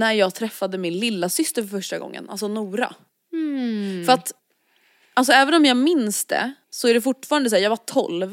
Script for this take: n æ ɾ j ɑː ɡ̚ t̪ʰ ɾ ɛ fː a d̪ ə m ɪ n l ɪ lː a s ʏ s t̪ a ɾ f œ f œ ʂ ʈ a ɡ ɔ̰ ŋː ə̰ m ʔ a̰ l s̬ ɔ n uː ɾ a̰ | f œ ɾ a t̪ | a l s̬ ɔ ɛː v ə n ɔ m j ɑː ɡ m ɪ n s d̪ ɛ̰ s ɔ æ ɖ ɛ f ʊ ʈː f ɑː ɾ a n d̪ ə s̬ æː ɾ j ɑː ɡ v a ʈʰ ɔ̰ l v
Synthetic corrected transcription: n æ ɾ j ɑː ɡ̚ t̪ʰ ɾ ɛ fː a d̪ ə m ɪ n l ɪ lː a s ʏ s t̪ ə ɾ f œ f œ ʂ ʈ a ɡ ɔ̰ ŋː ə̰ n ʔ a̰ l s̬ ɔ n uː ɾ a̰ | f œ ɾ a t̪ | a l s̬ ɔ ɛː v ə n ɔ m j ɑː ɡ m ɪ n s d̪ ɛ̰ s ɔ æ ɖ ɛ f ʊ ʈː f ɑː ɾ a n d̪ ə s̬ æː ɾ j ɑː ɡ v a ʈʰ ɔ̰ l v